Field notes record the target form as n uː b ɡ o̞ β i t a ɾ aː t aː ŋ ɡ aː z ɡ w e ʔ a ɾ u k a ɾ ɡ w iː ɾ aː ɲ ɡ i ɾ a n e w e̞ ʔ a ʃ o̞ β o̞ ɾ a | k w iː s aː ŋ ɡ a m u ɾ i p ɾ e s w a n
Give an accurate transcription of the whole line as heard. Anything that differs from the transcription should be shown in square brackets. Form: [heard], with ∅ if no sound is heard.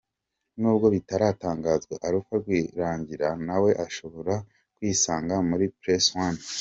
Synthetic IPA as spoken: n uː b ɡ o̞ β i t a ɾ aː t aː ŋ ɡ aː z ɡ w e ʔ a ɾ u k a ɾ ɡ w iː ɾ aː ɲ [ɟ] i ɾ a n [a] w e̞ ʔ a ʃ o̞ β o̞ ɾ a | k w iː s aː ŋ ɡ a m u ɾ i p ɾ e s w a n